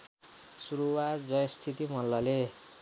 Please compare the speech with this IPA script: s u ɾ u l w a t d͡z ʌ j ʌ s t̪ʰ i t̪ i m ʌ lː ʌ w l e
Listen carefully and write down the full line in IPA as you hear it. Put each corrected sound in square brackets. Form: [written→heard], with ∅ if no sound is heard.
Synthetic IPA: s u ɾ u [l→∅] w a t d͡z ʌ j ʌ s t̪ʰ i t̪ i m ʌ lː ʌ [w→∅] l e